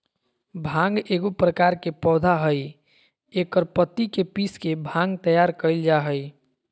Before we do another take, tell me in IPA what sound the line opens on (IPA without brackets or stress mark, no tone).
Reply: bʱ